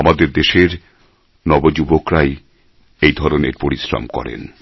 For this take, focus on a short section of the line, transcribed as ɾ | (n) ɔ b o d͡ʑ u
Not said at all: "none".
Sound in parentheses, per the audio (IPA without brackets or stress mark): n